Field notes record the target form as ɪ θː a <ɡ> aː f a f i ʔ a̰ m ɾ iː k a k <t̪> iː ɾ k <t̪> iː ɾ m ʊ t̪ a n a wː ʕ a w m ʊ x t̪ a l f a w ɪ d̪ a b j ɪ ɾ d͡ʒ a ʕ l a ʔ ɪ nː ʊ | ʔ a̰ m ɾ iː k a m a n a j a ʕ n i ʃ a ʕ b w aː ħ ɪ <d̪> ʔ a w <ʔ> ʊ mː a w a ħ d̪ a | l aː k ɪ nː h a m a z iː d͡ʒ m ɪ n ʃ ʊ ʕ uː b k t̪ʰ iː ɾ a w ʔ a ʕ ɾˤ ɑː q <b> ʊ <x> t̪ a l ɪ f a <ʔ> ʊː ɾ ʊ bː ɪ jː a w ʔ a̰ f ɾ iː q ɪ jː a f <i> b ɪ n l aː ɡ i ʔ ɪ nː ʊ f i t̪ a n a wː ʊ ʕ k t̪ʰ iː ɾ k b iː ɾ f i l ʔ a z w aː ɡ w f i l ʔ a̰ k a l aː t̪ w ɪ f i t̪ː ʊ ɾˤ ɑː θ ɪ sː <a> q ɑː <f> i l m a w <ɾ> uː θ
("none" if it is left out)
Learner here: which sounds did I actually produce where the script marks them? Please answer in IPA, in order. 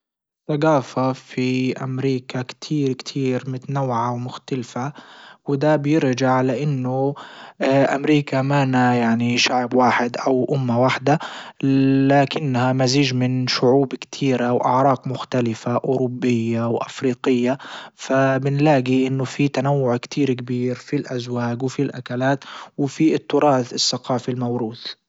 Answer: ɡ, t̪ʰ, t̪ʰ, d̪, ʔ, m, x, ʔ, a, a, f, ɾ

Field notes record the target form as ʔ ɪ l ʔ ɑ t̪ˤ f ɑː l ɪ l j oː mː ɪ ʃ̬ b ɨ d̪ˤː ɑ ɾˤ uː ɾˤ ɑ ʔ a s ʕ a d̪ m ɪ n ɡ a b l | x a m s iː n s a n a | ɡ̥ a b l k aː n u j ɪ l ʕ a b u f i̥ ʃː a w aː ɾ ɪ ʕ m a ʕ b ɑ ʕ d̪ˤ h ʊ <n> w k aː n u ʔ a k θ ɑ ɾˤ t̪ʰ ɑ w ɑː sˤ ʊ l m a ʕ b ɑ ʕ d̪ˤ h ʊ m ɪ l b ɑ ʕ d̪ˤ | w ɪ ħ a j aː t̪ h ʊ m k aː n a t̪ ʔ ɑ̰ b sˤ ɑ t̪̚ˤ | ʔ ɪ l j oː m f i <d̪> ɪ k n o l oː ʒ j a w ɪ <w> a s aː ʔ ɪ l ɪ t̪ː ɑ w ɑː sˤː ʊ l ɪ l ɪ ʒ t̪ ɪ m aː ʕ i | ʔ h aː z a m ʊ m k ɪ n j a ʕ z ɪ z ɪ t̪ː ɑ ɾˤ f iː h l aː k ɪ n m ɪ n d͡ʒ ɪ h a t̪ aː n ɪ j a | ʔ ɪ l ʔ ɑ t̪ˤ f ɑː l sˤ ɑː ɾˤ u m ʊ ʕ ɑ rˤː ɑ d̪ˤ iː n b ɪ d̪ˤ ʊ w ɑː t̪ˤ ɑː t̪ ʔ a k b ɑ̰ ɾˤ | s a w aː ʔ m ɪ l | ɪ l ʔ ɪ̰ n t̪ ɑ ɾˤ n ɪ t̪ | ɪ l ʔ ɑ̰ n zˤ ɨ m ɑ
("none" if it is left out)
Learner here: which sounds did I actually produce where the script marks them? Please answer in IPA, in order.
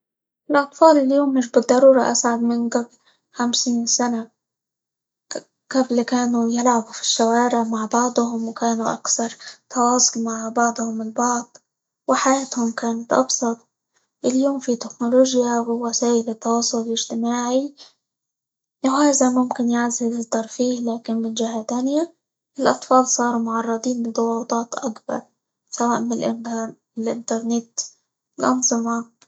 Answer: m, t̪, w

